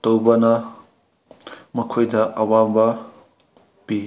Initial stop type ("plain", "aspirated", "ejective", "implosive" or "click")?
plain